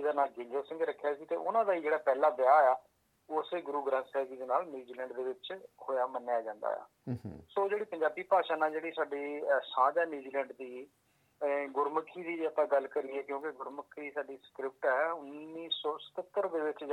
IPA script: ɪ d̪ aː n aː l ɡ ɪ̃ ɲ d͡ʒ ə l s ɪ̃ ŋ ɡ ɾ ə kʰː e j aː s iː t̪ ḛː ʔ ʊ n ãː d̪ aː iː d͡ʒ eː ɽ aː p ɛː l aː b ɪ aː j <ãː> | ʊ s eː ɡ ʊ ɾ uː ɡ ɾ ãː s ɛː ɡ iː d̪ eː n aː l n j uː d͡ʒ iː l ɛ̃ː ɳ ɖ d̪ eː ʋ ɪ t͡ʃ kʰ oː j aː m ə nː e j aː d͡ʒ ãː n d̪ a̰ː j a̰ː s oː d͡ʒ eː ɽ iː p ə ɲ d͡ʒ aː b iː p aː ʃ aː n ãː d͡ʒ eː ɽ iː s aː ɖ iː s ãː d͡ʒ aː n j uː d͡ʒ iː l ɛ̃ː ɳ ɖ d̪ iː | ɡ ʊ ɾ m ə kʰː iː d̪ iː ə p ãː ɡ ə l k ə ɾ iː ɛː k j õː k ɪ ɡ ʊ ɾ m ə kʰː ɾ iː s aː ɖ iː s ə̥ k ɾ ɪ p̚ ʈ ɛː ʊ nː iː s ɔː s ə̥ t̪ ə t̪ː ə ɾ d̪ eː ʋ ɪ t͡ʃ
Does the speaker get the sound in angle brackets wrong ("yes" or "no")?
yes